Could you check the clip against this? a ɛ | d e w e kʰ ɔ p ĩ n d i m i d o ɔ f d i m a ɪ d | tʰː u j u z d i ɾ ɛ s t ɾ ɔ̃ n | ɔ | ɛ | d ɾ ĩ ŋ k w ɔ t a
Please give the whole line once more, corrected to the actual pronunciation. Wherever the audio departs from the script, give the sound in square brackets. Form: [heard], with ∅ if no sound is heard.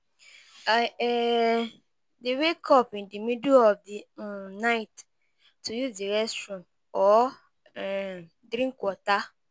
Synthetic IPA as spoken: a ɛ | d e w e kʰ ɔ p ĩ n d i m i d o ɔ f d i [n] a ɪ [t] | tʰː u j u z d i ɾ ɛ s t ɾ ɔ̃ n | ɔ | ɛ | d ɾ ĩ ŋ k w ɔ t a